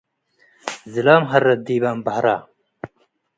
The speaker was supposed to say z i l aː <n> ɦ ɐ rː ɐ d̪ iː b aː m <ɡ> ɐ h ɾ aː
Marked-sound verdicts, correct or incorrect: incorrect: m, incorrect: b

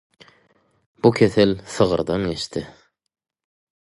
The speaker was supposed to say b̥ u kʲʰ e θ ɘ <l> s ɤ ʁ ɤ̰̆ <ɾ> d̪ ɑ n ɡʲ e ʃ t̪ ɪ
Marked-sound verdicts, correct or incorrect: correct, correct

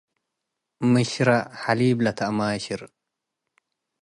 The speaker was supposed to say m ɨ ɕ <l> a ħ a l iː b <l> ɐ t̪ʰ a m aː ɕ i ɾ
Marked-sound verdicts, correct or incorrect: incorrect: ɾ, correct

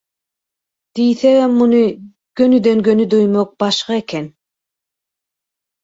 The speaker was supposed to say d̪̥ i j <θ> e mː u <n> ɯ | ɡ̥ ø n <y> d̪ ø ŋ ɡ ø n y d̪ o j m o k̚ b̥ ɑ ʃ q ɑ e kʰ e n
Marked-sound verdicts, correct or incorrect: correct, correct, correct

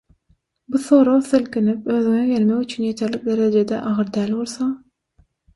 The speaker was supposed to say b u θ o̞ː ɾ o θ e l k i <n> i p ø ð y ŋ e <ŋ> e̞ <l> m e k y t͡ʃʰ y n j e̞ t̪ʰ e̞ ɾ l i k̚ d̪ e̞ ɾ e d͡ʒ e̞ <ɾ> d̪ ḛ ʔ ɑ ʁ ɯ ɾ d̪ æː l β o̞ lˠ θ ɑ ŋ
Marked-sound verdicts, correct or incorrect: correct, incorrect: ɡ, correct, incorrect: none

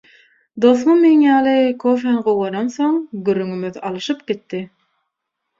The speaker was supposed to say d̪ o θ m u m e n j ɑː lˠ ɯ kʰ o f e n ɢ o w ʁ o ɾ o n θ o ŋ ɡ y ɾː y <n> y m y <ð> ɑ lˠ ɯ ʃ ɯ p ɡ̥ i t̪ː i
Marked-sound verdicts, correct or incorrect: incorrect: ŋ, correct

